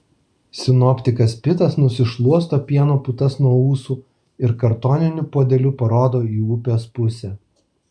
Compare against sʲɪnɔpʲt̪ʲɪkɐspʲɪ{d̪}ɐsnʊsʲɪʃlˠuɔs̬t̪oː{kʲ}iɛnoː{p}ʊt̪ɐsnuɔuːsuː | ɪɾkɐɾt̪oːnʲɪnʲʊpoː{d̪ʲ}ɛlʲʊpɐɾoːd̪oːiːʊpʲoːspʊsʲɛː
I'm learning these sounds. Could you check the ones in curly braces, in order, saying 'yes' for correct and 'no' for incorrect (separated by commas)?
no, no, yes, yes